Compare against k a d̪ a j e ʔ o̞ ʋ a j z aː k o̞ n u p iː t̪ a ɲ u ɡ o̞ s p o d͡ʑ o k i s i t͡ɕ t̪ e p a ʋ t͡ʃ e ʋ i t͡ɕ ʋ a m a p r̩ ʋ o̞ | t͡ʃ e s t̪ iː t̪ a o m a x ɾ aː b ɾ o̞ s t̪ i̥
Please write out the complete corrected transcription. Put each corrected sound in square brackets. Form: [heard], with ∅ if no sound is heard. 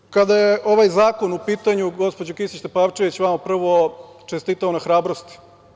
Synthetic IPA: k a d̪ a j e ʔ o̞ ʋ a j z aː k o̞ n u p iː t̪ a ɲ u ɡ o̞ s p o d͡ʑ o k i s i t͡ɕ t̪ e p a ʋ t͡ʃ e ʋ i t͡ɕ ʋ a m a p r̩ ʋ o̞ | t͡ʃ e s t̪ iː t̪ a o [n] a x ɾ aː b ɾ o̞ s t̪ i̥